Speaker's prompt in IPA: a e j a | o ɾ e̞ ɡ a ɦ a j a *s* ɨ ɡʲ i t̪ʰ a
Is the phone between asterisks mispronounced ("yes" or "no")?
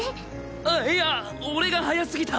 no